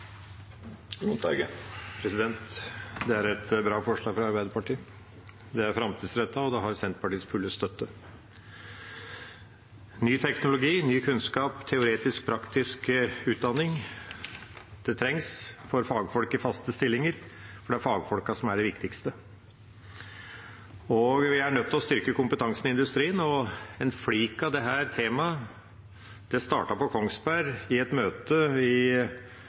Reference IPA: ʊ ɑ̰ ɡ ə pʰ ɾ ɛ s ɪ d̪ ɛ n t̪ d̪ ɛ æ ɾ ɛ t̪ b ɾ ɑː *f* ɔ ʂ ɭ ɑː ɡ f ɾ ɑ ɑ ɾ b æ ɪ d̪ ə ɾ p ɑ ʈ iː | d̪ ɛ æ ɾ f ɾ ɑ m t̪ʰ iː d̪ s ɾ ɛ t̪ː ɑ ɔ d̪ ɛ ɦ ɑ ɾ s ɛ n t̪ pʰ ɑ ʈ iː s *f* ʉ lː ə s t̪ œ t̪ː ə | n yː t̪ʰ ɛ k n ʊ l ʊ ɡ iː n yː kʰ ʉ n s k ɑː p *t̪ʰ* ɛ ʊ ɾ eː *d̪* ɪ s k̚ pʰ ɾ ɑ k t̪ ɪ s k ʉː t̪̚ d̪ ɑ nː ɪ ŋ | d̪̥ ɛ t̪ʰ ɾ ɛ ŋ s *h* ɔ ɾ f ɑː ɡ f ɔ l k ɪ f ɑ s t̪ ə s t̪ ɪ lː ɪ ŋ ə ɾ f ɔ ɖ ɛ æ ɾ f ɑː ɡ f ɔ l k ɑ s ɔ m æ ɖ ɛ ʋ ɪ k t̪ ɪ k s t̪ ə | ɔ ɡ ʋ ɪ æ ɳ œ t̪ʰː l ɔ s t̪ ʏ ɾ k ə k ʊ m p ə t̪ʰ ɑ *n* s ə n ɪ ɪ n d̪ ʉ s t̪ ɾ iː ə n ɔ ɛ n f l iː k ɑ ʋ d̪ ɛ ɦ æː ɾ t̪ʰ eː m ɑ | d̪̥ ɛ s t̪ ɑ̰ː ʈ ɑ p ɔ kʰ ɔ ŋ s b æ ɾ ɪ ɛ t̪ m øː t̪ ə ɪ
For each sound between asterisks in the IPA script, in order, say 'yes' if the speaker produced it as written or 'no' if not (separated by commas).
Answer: yes, yes, yes, no, no, no